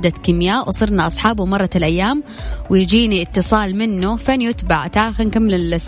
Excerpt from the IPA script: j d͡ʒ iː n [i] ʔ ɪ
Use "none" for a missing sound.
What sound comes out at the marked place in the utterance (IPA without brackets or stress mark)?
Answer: i